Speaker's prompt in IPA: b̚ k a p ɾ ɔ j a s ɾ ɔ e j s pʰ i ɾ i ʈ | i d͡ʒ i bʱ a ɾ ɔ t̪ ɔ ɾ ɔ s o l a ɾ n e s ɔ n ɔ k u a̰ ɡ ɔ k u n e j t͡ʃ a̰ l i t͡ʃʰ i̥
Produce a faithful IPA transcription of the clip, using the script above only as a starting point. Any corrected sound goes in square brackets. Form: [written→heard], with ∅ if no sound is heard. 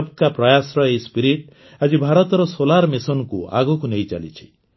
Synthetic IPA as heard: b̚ k a p ɾ ɔ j a s ɾ ɔ e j s [pʰ→p] i ɾ i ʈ | [i→a] d͡ʒ i bʱ a ɾ ɔ t̪ ɔ ɾ ɔ s o l a ɾ [n→m] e s ɔ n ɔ k u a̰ ɡ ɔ k u n e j t͡ʃ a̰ l i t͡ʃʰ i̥